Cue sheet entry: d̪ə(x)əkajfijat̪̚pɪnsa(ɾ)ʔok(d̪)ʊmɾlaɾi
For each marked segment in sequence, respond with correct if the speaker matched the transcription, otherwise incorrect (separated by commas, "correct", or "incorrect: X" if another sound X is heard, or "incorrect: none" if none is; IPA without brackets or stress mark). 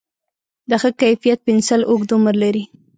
correct, incorrect: l, correct